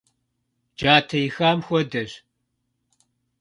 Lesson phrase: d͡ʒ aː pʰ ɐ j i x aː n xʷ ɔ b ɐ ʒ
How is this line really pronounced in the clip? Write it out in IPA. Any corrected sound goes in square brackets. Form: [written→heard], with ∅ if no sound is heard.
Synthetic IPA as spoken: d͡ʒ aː [pʰ→tʰ] ɐ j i x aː [n→m] xʷ ɔ [b→d] ɐ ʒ